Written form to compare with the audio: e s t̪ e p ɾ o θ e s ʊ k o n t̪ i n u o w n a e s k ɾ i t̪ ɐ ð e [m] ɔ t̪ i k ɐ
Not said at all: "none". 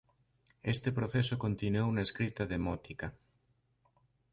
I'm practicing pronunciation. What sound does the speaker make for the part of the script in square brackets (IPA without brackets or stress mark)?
m